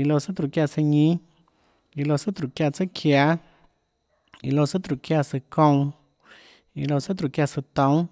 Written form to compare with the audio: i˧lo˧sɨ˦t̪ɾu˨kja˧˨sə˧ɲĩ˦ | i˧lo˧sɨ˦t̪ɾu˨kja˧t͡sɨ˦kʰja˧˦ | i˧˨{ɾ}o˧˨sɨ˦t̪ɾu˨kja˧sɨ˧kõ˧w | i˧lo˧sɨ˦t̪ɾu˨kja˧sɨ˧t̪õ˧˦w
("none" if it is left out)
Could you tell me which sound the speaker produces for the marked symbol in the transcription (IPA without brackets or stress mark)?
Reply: l